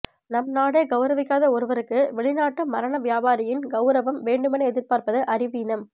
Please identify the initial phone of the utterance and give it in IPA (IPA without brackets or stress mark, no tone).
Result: n